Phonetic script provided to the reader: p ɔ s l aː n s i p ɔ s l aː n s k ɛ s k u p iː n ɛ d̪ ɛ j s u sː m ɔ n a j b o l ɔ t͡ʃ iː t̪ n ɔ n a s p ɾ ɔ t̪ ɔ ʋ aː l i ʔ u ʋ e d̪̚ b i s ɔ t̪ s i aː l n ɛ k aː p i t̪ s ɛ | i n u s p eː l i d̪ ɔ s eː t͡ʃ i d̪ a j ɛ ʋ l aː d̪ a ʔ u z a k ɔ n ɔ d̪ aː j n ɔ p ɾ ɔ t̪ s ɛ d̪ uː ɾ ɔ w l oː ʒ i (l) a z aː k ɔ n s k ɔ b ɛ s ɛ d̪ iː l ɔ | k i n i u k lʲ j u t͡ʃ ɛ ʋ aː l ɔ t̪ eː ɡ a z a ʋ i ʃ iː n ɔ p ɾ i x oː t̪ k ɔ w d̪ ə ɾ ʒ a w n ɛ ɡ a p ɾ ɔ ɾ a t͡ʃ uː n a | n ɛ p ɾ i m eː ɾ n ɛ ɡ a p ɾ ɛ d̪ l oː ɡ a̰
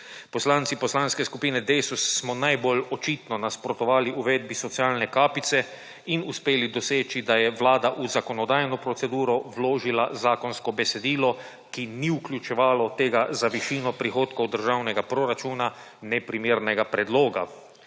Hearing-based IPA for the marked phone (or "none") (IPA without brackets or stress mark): l